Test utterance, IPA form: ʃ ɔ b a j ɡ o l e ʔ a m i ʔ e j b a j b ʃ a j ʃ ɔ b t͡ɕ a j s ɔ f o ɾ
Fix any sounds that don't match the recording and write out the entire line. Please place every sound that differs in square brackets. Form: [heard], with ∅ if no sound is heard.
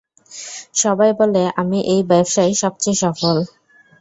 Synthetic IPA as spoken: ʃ ɔ b a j [b] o l e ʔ a m i ʔ e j b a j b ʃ a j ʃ ɔ b t͡ɕ [e] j [ʃ] ɔ f o [l]

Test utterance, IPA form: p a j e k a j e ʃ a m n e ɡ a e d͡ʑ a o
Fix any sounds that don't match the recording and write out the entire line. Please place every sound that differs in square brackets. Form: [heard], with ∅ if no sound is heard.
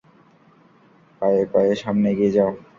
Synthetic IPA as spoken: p a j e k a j e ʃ a m n e ɡ [i] e d͡ʑ a o

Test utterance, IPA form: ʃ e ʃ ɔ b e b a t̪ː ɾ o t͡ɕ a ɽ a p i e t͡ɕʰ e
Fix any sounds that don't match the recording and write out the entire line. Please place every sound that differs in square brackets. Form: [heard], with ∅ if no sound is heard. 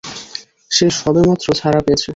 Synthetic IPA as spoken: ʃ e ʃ ɔ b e [m] a t̪ː ɾ o [t͡ɕʰ] a [ɾ] a p [e] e t͡ɕʰ e

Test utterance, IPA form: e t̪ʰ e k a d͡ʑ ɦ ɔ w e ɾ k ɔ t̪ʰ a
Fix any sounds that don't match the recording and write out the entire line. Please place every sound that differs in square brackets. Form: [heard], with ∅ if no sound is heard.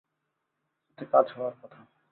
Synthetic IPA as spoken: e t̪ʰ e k a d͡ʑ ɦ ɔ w [a] ɾ k ɔ t̪ʰ a

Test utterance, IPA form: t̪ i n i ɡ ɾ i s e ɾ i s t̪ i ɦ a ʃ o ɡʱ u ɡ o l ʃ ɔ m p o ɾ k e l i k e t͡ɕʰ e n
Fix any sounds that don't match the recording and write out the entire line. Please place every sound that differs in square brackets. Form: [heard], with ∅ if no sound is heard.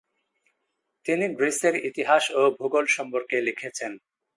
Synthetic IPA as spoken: t̪ i n i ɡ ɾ i s e ɾ i [∅] t̪ i ɦ a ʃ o [bʱ] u ɡ o l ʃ ɔ m p o ɾ k e l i [kʰ] e t͡ɕʰ e n

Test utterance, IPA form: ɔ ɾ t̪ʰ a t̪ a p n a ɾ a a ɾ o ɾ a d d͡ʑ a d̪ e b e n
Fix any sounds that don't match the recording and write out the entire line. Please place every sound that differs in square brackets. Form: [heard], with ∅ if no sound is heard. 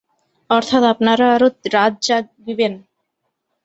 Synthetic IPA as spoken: ɔ ɾ t̪ʰ a t̪ a p n a ɾ a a ɾ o ɾ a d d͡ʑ a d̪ [i] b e n

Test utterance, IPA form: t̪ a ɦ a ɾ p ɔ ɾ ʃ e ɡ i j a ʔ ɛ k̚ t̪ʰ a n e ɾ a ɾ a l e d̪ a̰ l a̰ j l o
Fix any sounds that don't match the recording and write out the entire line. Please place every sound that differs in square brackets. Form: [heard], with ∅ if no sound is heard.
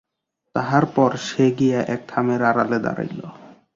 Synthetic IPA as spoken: t̪ a ɦ a ɾ p ɔ ɾ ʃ e ɡ i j a ʔ ɛ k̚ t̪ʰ a [m] e ɾ a ɾ a l e d̪ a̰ [ɾ] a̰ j l o

